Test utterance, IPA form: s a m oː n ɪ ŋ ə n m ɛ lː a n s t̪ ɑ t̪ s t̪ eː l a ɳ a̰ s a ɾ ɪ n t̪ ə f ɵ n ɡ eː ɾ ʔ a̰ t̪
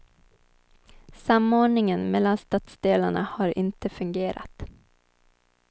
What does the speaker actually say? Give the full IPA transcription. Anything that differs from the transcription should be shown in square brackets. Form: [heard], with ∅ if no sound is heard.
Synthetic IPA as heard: s a m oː [ɳ] ɪ ŋ ə n m ɛ lː a n s t̪ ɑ t̪ s [d̪] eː l a ɳ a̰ [h] a ɾ ɪ n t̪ ə f ɵ [ŋ] ɡ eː ɾ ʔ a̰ t̪

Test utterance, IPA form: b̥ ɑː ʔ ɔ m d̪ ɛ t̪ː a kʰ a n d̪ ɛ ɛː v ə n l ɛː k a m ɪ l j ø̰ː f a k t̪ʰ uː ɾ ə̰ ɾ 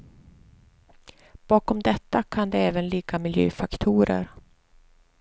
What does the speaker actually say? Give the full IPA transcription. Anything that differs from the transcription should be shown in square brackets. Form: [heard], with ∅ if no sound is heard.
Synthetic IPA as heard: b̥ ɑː [k] ɔ m d̪ ɛ t̪ː a kʰ a n d̪ ɛ ɛː v ə n l [iː] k a m ɪ l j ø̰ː f a k t̪ʰ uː ɾ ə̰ ɾ

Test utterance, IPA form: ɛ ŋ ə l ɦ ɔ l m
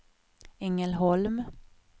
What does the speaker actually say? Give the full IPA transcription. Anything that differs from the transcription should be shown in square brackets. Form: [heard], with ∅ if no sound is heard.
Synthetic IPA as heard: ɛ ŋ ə l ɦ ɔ l m

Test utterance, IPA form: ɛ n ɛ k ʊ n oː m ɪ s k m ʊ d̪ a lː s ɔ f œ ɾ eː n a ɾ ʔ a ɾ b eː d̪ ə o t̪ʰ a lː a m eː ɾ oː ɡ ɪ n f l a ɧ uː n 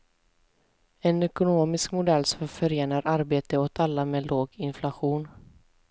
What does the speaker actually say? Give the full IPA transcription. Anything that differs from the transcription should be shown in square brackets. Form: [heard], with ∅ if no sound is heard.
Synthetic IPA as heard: ɛ n ɛ k ʊ n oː m ɪ s k m ʊ d̪ [ɛ] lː s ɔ f œ ɾ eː n a ɾ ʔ a ɾ b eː [t̪] ə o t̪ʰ a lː a m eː [l] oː ɡ ɪ n f l a ɧ uː n

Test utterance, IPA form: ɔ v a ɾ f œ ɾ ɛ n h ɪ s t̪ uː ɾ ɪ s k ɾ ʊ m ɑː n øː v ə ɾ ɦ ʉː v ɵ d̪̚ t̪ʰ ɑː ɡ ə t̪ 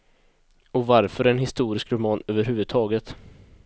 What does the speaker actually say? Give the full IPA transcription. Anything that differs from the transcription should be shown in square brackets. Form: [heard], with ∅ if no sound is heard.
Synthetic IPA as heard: ɔ v a ɾ f œ ɾ ɛ n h ɪ s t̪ uː ɾ ɪ s k ɾ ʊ m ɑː n øː v ə ɾ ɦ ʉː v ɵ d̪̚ t̪ʰ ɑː ɡ ə t̪

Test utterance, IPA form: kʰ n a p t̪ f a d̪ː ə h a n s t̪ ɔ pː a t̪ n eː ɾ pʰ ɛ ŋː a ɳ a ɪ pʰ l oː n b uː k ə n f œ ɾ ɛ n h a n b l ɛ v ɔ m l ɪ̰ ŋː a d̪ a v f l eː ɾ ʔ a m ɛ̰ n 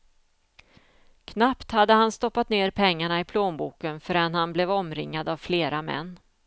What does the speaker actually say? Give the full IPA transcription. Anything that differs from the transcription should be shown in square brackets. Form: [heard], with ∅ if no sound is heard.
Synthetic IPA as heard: kʰ n a p t̪ [h] a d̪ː ə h a n s t̪ ɔ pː a t̪ n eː ɾ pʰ ɛ ŋː a ɳ a ɪ pʰ l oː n b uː k ə n f œ ɾ ɛ n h a n b l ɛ v ɔ m [ɾ] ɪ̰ ŋː a d̪ a v f l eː ɾ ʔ a m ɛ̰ [nː]

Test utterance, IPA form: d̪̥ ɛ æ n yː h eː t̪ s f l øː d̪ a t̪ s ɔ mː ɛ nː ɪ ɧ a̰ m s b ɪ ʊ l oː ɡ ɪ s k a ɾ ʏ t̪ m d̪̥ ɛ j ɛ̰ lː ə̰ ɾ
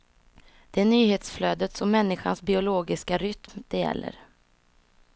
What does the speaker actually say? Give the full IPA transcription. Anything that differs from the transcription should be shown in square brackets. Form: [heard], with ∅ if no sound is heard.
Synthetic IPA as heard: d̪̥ ɛ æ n yː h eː t̪ s f l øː d̪ [ə] t̪ s ɔ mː ɛ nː ɪ ɧ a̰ [n] s b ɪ ʊ l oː ɡ ɪ s k a ɾ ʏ t̪ m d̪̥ ɛ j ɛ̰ lː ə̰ ɾ

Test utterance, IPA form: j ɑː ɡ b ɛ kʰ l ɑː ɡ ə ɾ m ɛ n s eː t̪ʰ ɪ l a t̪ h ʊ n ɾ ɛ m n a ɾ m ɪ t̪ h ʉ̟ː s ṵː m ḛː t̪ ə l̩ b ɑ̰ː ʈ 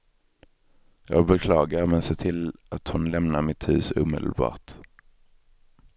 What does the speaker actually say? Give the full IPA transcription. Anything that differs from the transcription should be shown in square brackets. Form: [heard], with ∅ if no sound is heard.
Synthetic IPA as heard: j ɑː ɡ b ɛ kʰ l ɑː ɡ [a] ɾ m ɛ n s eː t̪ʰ ɪ l a t̪ h ʊ n [l] ɛ m n a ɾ m ɪ t̪ h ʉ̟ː s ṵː m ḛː [d̪] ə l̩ b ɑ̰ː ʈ

